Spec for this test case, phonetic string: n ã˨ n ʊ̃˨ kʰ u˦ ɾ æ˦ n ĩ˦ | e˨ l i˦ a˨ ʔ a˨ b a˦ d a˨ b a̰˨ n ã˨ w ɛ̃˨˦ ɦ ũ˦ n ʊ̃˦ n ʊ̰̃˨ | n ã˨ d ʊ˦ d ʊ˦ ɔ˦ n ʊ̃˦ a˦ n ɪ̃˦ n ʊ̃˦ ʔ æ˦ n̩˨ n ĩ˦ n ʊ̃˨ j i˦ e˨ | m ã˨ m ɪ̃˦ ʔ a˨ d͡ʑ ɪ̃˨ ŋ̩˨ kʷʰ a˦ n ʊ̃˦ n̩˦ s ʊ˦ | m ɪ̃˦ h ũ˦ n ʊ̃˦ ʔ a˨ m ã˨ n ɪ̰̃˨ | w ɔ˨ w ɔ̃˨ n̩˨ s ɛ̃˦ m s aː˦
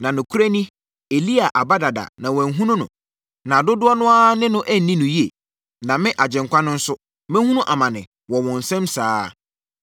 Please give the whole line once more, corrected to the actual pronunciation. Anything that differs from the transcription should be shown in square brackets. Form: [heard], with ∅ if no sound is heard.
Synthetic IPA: n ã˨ n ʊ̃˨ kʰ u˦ ɾ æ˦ n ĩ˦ | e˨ l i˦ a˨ ʔ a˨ b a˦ d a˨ [d] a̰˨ n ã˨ w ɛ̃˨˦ ɦ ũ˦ n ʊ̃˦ n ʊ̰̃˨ | n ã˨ d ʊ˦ d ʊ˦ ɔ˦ n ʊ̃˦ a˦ n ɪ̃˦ n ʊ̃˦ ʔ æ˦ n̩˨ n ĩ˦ n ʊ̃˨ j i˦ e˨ | [n] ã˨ m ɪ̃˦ ʔ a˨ d͡ʑ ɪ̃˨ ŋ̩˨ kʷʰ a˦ n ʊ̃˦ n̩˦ s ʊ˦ | m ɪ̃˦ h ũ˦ n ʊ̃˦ ʔ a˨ m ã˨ n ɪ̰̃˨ | w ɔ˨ w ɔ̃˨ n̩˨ s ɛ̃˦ m s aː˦